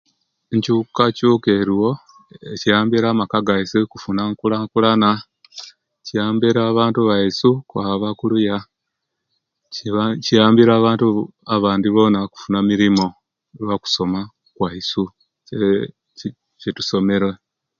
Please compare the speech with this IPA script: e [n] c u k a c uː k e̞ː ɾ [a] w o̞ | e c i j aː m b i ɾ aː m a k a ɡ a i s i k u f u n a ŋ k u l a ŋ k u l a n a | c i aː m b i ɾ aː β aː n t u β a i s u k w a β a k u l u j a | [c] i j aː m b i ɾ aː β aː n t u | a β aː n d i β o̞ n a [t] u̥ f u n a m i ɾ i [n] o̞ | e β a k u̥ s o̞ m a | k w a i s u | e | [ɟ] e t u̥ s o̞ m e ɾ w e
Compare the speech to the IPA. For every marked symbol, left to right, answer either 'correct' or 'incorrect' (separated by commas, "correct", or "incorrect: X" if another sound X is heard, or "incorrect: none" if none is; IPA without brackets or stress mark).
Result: incorrect: ɲ, incorrect: i, correct, incorrect: k, incorrect: m, incorrect: c